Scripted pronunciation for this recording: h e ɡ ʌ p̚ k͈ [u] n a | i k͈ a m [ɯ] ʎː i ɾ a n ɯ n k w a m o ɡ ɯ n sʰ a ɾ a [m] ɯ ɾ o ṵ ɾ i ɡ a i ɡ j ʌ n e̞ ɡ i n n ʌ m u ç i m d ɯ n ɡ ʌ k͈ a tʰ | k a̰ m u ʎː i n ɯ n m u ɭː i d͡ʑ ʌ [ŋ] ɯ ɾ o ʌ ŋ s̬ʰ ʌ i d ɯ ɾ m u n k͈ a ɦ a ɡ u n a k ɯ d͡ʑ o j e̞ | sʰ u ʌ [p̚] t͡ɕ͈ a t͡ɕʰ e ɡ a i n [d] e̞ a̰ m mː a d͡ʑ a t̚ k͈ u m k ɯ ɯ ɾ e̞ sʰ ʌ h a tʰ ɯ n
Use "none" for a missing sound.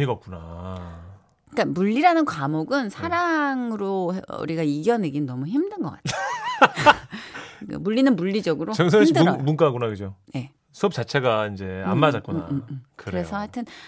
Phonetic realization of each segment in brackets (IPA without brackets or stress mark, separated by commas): u, u, ŋ, ɡ, p̚, d͡ʑ